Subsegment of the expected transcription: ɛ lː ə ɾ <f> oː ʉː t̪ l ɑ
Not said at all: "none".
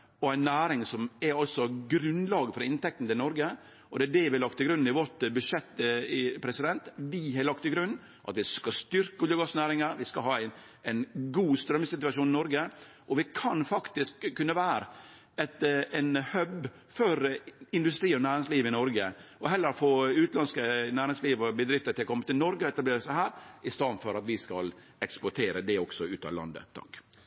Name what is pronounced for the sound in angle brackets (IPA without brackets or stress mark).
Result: f